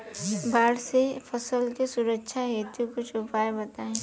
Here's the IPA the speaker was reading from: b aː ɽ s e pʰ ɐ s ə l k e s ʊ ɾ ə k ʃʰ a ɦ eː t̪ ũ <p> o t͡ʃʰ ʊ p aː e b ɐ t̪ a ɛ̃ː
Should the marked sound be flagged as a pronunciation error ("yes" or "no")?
yes